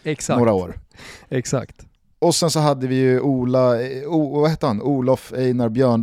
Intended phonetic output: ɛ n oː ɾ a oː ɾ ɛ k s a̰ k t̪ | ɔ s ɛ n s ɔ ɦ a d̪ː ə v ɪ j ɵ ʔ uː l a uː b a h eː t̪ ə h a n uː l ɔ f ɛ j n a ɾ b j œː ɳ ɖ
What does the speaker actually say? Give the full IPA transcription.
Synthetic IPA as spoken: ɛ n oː ɾ a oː ɾ ɛ k s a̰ k t̪ | ɔ s ɛ n s ɔ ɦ a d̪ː ə v ɪ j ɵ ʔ uː l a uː v a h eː t̪ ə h a n uː l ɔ f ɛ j n a ɾ b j œː ɳ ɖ